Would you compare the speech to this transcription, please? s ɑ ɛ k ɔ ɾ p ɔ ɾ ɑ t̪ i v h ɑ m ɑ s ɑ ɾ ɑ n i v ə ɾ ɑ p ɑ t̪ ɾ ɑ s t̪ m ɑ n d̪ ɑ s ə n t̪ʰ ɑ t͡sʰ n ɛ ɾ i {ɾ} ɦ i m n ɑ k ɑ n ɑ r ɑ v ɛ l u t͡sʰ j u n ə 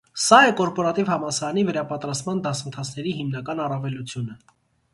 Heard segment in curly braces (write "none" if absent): none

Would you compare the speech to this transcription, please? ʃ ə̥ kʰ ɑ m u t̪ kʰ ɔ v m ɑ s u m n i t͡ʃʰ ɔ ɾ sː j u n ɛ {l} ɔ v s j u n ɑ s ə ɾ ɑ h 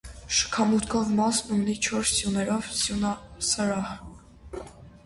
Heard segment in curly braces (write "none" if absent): ɾ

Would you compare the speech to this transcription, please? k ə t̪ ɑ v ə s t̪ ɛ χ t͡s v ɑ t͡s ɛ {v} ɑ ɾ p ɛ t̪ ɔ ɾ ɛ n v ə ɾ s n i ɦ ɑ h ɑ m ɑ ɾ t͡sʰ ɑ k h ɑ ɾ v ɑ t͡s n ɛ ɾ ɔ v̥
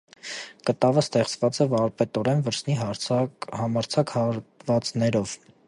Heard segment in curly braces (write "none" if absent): v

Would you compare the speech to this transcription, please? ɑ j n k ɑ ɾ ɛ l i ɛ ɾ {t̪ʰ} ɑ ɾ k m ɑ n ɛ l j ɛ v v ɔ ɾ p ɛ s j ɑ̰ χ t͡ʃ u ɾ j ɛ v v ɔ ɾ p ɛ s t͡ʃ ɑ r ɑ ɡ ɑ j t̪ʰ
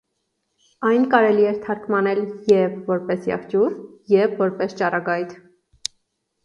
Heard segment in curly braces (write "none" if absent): t̪ʰ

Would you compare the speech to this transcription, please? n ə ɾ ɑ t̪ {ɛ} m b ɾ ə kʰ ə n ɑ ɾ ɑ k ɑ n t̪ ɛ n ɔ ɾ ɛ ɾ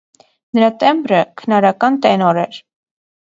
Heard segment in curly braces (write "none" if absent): ɛ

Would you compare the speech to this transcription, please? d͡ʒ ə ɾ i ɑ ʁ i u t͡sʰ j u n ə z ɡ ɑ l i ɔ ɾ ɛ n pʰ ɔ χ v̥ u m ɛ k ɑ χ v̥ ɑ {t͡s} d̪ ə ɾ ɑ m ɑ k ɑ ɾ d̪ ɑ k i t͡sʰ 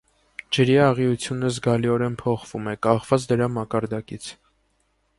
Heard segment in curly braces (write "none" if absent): t͡s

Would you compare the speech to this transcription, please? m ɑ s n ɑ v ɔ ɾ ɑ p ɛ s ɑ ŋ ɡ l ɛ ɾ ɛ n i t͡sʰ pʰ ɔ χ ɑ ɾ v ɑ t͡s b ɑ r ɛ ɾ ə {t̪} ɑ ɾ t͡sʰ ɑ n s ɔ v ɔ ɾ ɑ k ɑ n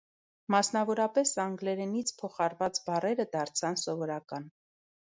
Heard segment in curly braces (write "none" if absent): d̪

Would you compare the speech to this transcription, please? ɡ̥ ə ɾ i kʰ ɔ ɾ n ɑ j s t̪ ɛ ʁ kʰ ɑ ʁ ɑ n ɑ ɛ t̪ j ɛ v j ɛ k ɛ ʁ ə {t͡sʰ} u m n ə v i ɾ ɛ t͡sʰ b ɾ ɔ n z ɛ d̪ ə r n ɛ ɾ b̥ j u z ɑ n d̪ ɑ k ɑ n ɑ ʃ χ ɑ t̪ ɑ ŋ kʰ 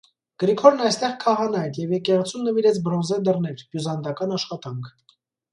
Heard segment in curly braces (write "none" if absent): t͡sʰ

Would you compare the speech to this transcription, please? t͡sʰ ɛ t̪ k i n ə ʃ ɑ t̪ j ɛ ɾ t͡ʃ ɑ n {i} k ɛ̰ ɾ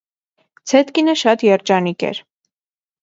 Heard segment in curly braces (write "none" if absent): i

